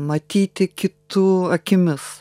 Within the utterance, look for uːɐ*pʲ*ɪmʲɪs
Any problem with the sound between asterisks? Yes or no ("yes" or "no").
yes